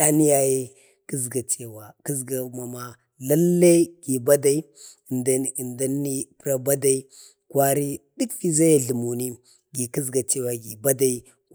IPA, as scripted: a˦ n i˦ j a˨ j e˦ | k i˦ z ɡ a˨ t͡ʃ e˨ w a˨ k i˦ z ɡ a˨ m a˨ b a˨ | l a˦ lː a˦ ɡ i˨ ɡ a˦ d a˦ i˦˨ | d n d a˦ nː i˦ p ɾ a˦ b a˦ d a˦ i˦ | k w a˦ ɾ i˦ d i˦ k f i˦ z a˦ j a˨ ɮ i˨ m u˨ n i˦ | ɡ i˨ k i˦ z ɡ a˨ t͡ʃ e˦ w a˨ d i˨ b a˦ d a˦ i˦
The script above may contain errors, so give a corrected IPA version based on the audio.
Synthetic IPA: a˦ n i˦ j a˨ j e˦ | k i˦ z ɡ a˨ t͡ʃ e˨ w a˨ k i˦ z ɡ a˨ m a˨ m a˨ | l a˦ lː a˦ ɡ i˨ b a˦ d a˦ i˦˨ | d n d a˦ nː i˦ p ɾ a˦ b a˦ d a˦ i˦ | k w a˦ ɾ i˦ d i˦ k f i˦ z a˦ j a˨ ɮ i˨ m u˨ n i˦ | ɡ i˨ k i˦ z ɡ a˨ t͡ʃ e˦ w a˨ ɡ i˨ b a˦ d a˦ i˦